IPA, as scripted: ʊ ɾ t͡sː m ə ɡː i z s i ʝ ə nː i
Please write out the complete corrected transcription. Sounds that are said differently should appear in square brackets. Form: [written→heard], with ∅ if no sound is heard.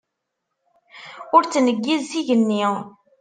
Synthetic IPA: ʊ ɾ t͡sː [m→n] ə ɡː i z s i ʝ ə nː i